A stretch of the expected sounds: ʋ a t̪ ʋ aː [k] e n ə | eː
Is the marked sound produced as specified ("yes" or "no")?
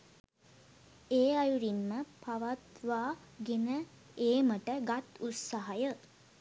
no